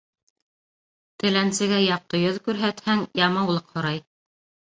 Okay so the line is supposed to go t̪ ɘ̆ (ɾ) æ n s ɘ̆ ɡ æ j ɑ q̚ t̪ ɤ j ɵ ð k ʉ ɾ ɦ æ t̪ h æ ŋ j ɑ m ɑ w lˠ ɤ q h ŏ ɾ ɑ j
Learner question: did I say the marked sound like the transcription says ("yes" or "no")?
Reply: no